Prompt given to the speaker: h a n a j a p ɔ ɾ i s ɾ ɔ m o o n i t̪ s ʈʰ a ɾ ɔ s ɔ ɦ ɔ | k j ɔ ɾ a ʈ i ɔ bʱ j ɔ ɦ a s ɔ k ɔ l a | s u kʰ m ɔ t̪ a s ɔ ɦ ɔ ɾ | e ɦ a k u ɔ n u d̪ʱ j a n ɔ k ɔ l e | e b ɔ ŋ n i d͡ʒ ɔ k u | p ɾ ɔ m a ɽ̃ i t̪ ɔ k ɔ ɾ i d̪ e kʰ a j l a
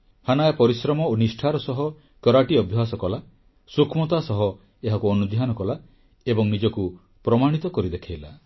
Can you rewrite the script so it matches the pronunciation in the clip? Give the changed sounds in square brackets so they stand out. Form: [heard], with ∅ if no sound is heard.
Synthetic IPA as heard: h a n a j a p ɔ ɾ i s ɾ ɔ m [ɔ] o n i [∅] s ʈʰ a ɾ ɔ s ɔ ɦ ɔ | k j ɔ ɾ a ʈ i ɔ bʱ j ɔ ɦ a s ɔ k ɔ l a | s u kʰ m ɔ t̪ a s ɔ ɦ ɔ [∅] | e ɦ a k u ɔ n u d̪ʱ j a n ɔ k ɔ l [a] | e b ɔ ŋ n i d͡ʒ ɔ k u | p ɾ ɔ m a ɽ̃ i t̪ ɔ k ɔ ɾ i d̪ e kʰ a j l a